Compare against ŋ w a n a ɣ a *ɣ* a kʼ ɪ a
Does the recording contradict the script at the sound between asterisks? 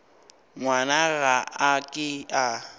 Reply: yes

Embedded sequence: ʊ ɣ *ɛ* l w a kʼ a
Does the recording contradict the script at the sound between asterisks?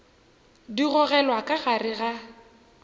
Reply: no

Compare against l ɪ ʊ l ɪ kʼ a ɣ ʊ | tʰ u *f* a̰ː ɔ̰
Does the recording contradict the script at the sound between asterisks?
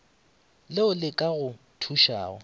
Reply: yes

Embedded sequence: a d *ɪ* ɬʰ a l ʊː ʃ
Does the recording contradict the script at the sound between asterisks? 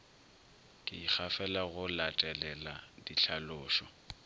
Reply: yes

